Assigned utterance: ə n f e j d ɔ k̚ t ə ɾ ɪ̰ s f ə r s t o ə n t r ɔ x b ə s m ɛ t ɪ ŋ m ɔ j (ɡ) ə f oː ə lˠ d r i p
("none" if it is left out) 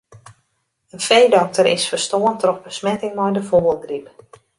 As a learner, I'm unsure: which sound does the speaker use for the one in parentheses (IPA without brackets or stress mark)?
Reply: d